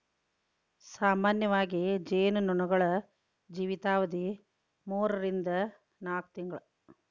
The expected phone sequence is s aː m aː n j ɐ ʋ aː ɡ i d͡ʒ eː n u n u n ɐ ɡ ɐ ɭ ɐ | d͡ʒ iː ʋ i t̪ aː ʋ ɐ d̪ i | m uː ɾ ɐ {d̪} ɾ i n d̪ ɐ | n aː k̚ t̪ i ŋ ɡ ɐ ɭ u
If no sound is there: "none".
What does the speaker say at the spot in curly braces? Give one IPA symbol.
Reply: none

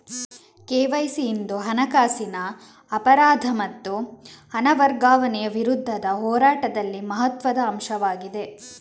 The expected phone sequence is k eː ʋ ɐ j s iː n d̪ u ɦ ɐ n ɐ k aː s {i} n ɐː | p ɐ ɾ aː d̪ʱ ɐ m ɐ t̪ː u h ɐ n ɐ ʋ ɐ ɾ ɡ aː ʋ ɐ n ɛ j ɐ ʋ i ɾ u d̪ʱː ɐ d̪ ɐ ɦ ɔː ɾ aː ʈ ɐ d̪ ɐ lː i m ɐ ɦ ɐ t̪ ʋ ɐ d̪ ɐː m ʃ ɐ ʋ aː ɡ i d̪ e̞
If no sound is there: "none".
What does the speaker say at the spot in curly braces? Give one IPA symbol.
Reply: i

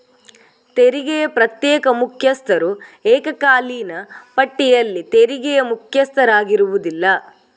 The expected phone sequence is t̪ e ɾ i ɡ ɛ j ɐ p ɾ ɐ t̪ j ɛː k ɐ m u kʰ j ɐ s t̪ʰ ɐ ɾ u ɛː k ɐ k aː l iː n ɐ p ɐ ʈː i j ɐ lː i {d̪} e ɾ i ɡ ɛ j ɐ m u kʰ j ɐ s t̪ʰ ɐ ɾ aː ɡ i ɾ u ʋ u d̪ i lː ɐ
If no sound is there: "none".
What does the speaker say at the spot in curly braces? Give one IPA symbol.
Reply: t̪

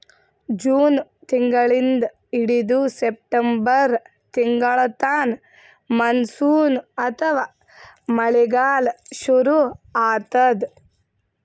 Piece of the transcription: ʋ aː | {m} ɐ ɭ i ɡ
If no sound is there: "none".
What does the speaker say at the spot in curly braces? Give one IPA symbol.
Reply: m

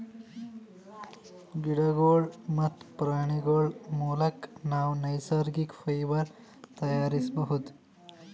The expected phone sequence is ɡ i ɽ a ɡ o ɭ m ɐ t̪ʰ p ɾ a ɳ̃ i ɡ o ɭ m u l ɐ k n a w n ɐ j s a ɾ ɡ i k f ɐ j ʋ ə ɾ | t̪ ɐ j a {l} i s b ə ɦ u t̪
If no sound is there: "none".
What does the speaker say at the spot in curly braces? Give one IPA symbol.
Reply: ɾ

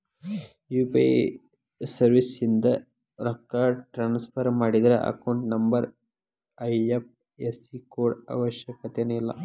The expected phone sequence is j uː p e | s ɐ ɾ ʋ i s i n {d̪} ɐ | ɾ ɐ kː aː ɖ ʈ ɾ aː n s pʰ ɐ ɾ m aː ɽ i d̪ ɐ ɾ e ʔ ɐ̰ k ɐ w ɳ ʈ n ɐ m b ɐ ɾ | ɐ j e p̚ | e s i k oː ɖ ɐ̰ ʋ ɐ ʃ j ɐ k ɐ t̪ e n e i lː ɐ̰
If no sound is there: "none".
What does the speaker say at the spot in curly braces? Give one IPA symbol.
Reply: d̪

